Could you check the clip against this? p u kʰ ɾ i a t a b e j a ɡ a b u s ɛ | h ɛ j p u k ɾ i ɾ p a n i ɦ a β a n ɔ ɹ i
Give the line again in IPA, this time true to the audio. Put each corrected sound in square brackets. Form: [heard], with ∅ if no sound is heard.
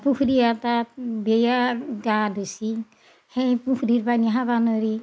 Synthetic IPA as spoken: p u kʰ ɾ i a t a b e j a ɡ a [d] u s [i] | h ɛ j p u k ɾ i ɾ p a n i ɦ a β a n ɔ [ɾ] i